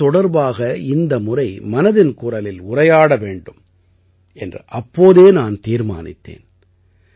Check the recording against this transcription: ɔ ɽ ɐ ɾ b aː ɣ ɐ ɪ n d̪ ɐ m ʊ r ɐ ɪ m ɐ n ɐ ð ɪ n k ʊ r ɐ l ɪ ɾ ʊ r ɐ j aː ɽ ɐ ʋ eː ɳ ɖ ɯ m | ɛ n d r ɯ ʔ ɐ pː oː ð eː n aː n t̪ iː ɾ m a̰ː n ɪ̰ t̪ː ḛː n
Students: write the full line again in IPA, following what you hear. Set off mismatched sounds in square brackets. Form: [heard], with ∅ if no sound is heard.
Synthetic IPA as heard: ɔ ɽ ɐ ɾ b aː ɣ ɐ ɪ n d̪ ɐ m ʊ r ɐ ɪ m ɐ n ɐ ð ɪ n k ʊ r ɐ l ɪ [l] ʊ r ɐ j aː ɽ ɐ ʋ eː ɳ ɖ ɯ m | ɛ n d r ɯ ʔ ɐ pː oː ð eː n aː n t̪ iː ɾ m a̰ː n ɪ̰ t̪ː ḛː n